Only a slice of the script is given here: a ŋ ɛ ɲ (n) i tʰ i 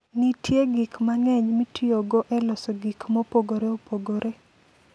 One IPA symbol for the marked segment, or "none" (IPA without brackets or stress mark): m